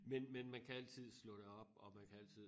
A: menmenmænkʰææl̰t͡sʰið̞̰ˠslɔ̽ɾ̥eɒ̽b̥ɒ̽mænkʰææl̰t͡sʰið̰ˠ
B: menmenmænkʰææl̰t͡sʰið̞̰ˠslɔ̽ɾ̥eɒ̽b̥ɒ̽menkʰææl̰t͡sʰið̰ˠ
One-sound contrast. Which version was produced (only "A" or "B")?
A